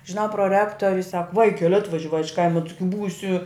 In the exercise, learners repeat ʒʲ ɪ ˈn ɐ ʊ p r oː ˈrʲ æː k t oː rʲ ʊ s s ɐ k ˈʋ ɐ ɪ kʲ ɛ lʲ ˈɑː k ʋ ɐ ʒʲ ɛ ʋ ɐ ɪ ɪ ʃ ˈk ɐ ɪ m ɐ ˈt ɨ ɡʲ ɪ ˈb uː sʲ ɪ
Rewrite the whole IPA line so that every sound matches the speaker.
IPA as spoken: ʒʲ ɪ ˈn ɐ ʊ p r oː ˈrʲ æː k t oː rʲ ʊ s s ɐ k ˈʋ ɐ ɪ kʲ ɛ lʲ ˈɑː t ʋ ɐ ʒʲ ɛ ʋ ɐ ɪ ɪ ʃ ˈk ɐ ɪ m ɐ ˈt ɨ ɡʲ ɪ ˈb uː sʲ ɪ